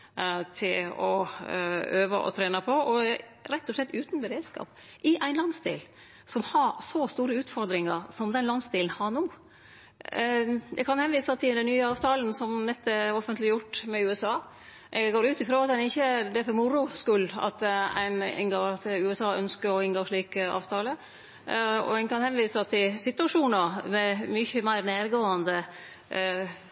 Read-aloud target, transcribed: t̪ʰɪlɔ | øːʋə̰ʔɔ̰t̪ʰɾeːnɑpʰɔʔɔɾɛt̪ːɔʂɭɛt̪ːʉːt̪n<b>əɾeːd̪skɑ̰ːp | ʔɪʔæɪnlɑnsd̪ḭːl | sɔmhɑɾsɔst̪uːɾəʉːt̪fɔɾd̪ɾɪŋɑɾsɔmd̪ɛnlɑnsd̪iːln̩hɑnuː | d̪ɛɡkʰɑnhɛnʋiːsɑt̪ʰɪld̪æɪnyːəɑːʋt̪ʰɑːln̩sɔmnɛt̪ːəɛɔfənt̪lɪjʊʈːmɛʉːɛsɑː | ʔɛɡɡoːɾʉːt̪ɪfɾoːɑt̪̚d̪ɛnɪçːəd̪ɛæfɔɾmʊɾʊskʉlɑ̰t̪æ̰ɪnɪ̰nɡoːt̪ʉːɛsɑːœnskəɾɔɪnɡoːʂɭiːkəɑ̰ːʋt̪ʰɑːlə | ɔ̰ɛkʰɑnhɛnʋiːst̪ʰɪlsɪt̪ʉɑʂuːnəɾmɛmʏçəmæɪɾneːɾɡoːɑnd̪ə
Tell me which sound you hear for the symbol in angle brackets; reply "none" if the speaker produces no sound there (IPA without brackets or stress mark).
b